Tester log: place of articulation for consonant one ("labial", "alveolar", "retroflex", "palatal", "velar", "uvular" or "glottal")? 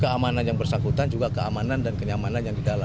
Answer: velar